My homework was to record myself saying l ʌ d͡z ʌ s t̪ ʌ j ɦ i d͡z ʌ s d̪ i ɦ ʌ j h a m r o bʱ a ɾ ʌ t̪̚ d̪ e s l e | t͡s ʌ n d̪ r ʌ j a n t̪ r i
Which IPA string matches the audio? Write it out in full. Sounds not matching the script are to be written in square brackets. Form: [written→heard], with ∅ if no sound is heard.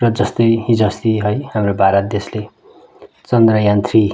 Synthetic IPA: [l→r] ʌ d͡z ʌ s t̪ ʌ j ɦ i d͡z ʌ s [d̪→t̪] i ɦ ʌ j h a m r o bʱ a ɾ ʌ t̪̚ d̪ e s l e | t͡s ʌ n d̪ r ʌ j a n t̪ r i

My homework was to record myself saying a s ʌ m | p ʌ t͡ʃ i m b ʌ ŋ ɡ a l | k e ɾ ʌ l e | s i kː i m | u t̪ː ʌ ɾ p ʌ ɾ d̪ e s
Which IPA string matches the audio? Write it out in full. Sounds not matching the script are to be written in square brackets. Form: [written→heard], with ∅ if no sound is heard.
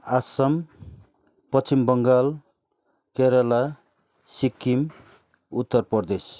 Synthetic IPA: a s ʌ m | p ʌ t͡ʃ i m b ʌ ŋ ɡ a l | k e ɾ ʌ l [e→a] | s i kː i m | u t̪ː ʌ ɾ p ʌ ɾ d̪ e s

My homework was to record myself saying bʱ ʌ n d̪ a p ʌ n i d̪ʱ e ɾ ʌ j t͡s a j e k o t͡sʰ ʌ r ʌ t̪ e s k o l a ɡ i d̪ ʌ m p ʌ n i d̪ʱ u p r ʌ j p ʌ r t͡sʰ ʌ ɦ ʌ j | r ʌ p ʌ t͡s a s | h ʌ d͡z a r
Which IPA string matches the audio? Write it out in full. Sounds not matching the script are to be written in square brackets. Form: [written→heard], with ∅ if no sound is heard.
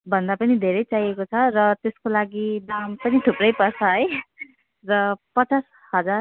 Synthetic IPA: bʱ ʌ n d̪ a p ʌ n i d̪ʱ e ɾ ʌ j t͡s a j e k o t͡sʰ ʌ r ʌ t̪ e s k o l a ɡ i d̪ [ʌ→a] m p ʌ n i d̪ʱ u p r ʌ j p ʌ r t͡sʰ ʌ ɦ ʌ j | r ʌ p ʌ t͡s a s | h ʌ d͡z a r

